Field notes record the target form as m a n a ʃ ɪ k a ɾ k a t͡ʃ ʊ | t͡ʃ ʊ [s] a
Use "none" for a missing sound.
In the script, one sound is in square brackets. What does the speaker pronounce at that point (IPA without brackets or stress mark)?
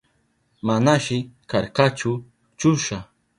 ʃ